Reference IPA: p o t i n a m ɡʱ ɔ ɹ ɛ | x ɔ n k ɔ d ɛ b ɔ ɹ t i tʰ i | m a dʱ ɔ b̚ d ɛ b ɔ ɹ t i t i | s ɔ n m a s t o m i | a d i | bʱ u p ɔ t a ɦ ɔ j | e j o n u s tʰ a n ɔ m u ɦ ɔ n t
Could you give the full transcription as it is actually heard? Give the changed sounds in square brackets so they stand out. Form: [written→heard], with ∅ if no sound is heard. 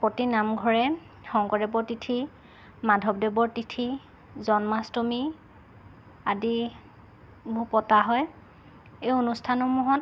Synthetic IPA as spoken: p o t i n a m ɡʱ ɔ ɹ ɛ | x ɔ [n→ŋ] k ɔ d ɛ b ɔ ɹ t i tʰ i | m a dʱ ɔ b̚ d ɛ b ɔ ɹ t i [t→tʰ] i | [s→z] ɔ n m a s t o m i | a d i | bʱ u p ɔ t a ɦ ɔ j | e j o n u s tʰ a n ɔ m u ɦ ɔ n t